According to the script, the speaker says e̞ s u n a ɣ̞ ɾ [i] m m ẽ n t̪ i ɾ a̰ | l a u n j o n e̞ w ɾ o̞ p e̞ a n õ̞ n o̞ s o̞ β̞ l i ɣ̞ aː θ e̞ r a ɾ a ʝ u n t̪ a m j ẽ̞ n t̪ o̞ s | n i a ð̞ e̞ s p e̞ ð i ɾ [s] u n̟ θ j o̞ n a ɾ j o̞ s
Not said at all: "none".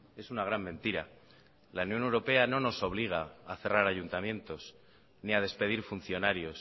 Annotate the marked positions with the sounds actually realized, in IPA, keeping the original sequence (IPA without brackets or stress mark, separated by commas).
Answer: a, f